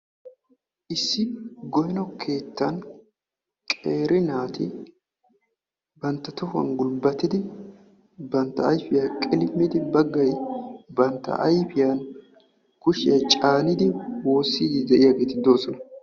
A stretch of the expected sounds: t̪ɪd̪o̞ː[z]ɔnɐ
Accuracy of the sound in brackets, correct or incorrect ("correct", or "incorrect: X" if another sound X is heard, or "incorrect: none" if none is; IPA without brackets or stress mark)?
incorrect: s